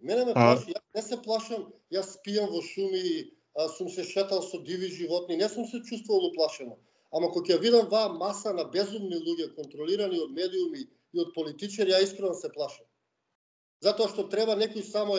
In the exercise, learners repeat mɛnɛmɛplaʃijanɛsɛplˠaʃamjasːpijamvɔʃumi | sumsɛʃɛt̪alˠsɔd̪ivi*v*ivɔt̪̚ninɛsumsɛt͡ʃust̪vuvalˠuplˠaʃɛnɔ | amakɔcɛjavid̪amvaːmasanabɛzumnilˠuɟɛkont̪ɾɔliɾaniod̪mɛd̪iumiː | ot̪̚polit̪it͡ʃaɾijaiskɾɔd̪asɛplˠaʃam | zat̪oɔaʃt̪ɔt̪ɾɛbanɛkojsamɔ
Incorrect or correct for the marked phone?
incorrect: ʒ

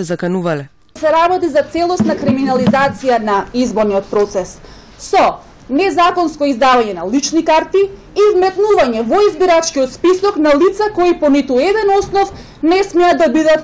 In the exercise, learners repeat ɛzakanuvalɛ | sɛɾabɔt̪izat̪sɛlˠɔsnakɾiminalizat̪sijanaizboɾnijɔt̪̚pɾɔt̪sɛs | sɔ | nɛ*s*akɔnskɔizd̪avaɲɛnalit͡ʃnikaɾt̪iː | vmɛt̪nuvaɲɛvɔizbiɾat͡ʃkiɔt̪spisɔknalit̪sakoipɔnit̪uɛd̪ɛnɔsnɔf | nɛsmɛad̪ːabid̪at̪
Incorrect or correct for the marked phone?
incorrect: z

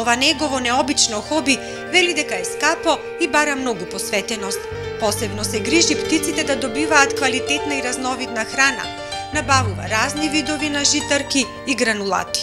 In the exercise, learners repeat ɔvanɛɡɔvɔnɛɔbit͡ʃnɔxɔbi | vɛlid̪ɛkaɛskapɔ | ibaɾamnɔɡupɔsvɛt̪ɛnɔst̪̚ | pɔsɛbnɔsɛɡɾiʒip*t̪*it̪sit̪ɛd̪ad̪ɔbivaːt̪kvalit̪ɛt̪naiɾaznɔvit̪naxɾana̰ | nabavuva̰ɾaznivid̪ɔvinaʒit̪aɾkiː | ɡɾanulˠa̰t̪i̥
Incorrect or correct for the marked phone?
correct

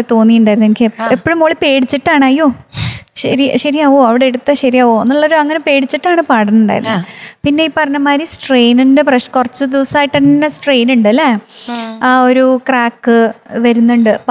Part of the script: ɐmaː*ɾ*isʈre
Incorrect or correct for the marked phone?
correct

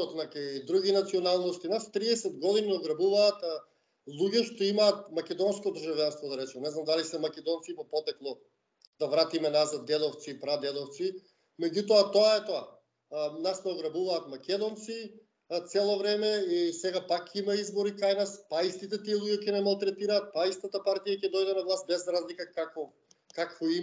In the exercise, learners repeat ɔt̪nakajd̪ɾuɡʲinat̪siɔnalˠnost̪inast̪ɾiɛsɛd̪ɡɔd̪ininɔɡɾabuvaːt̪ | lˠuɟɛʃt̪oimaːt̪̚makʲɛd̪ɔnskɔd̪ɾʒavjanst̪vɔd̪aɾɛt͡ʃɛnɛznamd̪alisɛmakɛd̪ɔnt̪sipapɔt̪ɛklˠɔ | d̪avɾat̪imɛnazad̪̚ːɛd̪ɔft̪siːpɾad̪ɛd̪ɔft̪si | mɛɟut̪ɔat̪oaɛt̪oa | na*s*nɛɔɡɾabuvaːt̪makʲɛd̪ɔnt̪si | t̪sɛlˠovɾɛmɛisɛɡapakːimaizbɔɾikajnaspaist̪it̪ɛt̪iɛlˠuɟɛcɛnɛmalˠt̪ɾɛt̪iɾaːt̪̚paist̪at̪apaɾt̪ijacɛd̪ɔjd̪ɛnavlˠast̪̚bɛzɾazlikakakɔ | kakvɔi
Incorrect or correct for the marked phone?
correct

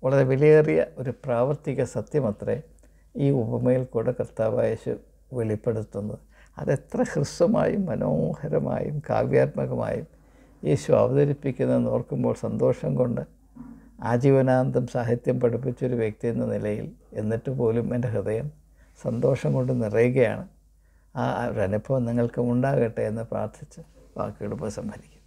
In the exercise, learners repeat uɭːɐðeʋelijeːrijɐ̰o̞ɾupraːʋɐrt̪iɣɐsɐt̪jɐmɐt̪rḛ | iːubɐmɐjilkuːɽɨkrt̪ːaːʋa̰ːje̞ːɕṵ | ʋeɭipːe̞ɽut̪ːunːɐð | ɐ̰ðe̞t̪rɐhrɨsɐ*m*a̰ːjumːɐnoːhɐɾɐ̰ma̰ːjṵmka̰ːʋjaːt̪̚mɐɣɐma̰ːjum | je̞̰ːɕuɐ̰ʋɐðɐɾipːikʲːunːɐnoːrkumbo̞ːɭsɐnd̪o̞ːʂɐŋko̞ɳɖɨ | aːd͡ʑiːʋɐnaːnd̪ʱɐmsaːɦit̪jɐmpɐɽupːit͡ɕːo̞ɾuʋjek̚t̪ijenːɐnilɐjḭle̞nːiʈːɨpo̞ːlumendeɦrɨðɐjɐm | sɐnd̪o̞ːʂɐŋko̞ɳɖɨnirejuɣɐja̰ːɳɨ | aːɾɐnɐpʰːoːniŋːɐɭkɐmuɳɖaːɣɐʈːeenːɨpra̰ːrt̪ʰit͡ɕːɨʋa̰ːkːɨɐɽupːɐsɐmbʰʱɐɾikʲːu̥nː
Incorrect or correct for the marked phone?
correct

